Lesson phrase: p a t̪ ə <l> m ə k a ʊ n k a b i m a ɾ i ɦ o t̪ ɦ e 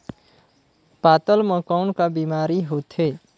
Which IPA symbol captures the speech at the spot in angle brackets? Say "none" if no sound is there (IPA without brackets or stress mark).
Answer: l